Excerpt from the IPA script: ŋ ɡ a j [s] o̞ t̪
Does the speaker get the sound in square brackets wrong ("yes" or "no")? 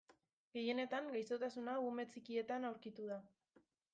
no